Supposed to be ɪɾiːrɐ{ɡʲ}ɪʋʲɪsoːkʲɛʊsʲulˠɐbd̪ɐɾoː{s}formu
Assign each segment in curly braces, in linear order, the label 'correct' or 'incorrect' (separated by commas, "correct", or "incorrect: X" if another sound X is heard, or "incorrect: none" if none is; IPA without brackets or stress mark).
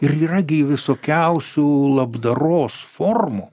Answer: correct, correct